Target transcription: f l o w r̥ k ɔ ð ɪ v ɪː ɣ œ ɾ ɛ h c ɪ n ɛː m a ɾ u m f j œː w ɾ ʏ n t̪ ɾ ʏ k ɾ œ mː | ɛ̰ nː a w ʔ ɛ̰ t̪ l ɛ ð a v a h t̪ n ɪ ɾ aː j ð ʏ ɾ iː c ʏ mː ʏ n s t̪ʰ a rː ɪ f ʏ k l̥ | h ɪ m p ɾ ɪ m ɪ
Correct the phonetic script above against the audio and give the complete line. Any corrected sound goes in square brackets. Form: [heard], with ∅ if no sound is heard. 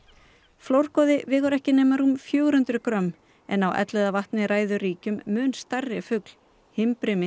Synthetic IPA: f l o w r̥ k ɔ ð ɪ v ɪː ɣ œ ɾ ɛ h c ɪ n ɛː m a ɾ u m f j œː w ɾ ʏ n t̪ ɾ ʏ k ɾ œ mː | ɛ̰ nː a w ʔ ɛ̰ t̪ l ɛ ð a v a h t̪ n ɪ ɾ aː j ð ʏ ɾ iː c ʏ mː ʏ n s [t̪] a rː ɪ f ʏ k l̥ | h ɪ m p ɾ ɪ m ɪ